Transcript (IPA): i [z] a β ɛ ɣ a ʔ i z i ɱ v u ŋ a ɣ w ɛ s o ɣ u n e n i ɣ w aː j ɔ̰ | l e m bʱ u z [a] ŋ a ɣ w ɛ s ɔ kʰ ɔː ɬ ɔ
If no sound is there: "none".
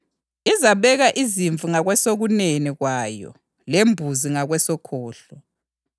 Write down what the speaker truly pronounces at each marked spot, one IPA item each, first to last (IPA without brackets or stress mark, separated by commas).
z, i